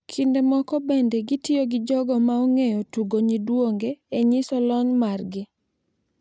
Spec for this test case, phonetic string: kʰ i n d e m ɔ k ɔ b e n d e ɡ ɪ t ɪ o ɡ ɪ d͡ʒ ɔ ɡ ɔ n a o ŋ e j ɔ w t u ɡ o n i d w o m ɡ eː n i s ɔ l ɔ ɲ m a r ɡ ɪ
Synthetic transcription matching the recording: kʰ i n d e m ɔ k ɔ b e n d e ɡ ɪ t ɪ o ɡ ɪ d͡ʒ ɔ ɡ ɔ m a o ŋ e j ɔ t u ɡ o ɲ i d w o ŋ ɡ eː ɲ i s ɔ l ɔ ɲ m a r ɡ ɪ